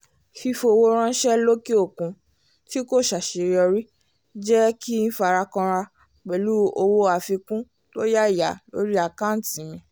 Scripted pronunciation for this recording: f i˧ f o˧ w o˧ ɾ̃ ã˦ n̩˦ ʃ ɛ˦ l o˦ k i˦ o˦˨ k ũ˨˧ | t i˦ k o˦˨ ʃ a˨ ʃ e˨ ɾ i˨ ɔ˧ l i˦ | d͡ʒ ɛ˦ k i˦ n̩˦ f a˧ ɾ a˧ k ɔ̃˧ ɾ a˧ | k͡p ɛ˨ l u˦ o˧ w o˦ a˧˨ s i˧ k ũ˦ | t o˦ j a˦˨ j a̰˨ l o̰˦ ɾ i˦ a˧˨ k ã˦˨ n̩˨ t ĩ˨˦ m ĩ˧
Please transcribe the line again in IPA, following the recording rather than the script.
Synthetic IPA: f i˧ f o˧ w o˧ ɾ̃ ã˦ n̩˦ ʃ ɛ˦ l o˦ k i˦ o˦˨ k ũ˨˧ | t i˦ k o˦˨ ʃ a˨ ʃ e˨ ɾ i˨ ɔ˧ ɾ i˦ | d͡ʒ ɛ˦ k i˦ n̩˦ f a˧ ɾ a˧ k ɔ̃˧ ɾ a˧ | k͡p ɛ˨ l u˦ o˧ w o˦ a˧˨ f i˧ k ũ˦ | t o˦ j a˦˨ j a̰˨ l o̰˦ ɾ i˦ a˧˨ k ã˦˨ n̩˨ t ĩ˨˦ m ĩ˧